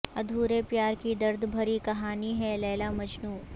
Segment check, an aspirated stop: absent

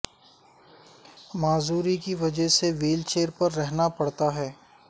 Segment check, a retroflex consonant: present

